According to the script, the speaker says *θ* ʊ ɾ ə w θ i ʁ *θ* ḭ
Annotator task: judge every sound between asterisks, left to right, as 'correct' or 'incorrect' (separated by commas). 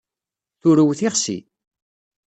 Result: correct, incorrect